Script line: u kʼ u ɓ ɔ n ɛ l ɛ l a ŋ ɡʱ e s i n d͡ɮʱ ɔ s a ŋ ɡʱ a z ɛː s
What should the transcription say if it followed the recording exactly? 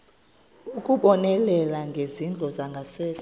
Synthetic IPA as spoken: u kʼ u ɓ ɔ n ɛ l ɛ l a ŋ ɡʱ e z i n d͡ɮʱ ɔ z a ŋ ɡʱ a s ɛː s